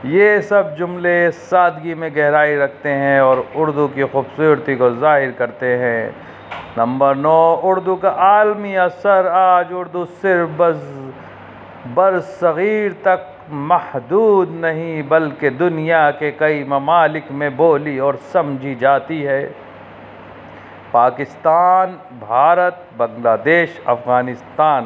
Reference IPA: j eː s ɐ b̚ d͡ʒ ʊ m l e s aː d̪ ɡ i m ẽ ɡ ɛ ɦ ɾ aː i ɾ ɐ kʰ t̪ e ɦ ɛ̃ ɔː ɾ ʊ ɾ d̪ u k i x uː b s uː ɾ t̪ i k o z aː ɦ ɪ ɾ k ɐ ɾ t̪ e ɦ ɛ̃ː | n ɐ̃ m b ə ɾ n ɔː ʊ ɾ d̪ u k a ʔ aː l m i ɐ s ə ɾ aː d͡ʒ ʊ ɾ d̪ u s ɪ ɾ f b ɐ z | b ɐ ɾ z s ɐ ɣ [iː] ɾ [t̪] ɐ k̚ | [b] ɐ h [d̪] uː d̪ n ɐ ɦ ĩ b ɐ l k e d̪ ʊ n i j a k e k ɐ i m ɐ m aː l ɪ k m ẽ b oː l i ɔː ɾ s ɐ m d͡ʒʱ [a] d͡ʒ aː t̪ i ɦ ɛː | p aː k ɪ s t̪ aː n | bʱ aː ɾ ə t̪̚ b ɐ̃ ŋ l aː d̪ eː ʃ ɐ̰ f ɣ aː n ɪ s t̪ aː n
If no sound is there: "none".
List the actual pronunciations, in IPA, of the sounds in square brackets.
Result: iː, t̪, m, d̪, i

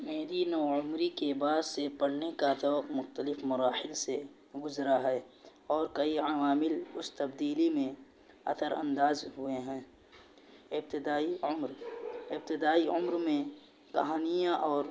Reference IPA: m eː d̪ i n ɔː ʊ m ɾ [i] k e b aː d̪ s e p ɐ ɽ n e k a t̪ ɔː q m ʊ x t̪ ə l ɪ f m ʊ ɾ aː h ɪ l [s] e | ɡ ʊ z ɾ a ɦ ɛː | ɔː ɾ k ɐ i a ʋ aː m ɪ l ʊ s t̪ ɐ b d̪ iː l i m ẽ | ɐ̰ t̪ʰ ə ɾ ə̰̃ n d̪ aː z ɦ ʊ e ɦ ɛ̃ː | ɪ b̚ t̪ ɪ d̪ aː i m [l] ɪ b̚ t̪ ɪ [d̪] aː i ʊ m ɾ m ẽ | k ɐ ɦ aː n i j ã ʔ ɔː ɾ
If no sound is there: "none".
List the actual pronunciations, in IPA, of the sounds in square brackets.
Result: i, s, ɾ, d̪

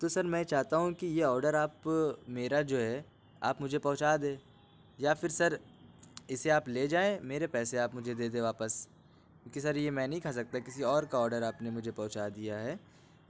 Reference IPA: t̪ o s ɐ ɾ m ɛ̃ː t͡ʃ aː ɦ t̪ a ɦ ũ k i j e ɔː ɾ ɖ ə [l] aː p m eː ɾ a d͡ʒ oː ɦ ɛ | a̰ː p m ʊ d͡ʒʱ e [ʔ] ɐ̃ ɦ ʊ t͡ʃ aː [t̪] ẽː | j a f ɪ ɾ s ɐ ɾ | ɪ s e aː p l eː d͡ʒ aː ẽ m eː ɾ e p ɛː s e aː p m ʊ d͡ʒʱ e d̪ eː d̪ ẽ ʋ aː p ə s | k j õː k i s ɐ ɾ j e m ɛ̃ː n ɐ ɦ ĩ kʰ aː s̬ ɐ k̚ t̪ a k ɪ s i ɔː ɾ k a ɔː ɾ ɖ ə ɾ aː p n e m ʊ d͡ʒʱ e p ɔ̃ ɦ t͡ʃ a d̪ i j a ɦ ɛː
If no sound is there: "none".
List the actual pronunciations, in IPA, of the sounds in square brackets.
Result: ɾ, p, d̪

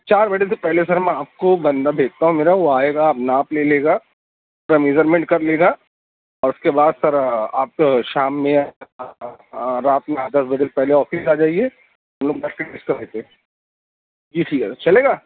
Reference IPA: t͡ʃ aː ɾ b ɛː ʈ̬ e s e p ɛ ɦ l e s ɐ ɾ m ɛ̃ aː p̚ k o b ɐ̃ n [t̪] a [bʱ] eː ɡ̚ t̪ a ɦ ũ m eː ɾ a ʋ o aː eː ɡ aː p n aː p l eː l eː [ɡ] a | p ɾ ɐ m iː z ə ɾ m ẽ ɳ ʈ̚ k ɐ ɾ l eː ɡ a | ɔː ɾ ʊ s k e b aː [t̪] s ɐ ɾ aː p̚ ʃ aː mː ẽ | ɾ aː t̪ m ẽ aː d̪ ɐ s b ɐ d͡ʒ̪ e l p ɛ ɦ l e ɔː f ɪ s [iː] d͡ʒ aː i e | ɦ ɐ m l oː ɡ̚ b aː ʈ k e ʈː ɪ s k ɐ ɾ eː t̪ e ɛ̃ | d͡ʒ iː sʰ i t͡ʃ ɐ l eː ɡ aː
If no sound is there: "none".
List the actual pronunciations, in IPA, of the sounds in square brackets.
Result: d̪, bʱ, ɡ, d̪, aː

